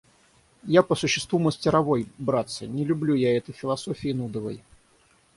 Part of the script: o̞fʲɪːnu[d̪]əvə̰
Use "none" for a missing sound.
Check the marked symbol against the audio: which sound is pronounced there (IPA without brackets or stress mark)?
d̪